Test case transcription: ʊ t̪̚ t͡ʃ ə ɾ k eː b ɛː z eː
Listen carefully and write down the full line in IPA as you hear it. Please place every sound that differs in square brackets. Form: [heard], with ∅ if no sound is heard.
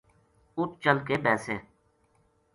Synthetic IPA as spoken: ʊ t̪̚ t͡ʃ ə [l] k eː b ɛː [s] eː